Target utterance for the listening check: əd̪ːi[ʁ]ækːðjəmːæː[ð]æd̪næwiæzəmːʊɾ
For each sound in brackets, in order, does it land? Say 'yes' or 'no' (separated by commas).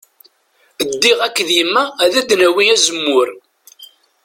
yes, yes